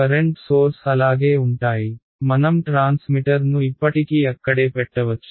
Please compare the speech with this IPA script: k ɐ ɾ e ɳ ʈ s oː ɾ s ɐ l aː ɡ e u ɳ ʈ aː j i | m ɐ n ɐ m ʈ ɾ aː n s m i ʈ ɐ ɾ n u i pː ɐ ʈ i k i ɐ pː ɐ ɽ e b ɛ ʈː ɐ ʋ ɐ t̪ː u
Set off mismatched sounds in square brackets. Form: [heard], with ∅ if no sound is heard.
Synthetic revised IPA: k ɐ ɾ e ɳ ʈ s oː ɾ s ɐ l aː ɡ e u ɳ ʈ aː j i | m ɐ n ɐ m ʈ ɾ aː n s m i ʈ ɐ ɾ n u i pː ɐ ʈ i k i ɐ [kː] ɐ ɽ e [p] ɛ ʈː ɐ ʋ ɐ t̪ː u